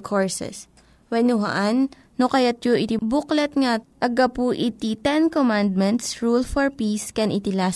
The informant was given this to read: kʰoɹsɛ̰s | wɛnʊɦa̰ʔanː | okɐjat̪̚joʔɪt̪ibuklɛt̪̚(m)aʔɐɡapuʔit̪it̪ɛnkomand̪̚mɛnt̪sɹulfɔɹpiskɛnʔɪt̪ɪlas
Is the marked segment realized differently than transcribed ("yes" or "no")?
yes